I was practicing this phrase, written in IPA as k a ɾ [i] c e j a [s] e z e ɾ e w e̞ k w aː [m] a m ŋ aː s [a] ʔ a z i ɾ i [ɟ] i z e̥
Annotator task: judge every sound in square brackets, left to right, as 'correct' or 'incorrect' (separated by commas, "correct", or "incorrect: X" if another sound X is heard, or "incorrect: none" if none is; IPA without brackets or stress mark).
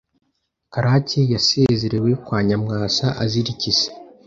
incorrect: a, correct, incorrect: ɲ, correct, incorrect: c